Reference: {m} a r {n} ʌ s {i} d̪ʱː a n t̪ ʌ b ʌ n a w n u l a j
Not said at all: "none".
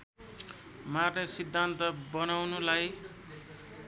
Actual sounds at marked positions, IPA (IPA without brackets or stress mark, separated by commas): m, n, i